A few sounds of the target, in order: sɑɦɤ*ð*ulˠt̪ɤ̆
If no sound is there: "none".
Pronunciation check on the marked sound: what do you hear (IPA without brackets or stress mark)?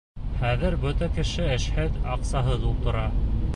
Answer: ð